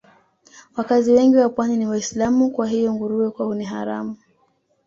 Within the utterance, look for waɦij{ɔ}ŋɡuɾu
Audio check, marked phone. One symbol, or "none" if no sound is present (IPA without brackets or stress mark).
ɔ